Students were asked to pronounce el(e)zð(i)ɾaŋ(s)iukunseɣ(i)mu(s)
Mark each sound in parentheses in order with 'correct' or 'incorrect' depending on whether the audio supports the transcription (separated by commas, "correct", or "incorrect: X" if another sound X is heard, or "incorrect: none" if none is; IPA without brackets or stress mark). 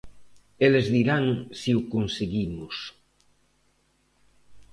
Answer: correct, correct, correct, correct, correct